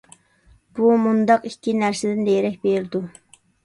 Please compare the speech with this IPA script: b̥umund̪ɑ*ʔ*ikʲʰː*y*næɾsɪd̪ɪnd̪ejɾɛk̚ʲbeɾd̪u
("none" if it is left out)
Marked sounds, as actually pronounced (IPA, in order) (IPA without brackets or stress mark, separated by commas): q, i